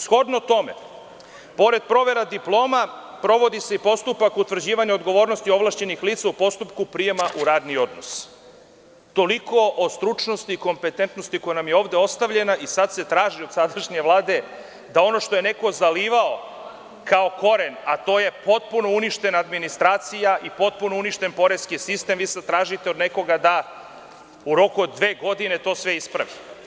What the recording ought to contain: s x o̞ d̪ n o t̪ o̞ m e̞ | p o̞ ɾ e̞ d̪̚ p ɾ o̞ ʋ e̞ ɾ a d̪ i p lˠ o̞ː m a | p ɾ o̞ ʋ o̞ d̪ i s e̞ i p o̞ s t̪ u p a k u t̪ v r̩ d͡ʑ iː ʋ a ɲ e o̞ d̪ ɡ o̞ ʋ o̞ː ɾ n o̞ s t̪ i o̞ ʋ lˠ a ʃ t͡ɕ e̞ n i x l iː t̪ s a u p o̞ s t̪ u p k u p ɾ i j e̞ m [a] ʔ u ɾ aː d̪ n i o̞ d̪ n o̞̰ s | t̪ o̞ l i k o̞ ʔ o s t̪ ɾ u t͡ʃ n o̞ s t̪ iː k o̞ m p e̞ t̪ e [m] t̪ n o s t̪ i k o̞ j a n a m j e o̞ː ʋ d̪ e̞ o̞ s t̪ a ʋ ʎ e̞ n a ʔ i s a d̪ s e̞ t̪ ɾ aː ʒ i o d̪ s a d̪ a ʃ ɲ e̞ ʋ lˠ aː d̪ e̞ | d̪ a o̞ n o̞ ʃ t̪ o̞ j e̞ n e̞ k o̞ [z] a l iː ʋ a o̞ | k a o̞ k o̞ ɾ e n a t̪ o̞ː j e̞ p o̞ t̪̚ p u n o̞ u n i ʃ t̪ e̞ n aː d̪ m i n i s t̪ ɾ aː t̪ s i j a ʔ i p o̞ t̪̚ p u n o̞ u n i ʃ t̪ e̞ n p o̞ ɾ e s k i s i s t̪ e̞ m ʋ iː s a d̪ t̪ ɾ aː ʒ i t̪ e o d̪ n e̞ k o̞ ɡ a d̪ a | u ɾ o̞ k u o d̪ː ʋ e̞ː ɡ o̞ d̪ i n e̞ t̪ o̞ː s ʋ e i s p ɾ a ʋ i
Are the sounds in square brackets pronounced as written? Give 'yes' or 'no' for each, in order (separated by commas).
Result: yes, no, yes